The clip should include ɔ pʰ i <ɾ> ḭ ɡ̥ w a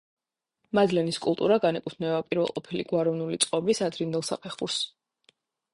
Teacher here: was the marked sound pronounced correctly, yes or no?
no